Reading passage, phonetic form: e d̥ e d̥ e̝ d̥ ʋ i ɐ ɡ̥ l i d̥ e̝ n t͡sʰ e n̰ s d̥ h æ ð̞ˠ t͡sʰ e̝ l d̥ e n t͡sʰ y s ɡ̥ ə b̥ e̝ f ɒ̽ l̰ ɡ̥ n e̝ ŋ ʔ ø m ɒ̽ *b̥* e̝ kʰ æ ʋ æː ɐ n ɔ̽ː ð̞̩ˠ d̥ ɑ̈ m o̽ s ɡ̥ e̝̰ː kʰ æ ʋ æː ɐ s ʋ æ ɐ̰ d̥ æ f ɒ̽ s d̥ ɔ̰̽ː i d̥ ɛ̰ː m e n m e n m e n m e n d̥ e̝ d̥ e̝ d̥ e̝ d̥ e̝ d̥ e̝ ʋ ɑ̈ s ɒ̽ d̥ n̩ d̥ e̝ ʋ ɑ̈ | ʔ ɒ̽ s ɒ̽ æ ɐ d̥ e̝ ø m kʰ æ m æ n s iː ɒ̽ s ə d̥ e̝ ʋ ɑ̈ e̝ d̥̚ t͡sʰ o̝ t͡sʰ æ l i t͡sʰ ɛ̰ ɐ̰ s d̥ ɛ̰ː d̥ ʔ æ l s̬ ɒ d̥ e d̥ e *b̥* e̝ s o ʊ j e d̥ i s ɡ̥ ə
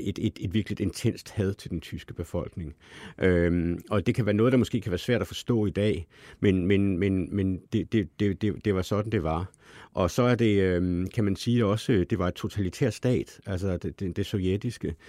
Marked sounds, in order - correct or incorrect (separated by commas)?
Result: incorrect, incorrect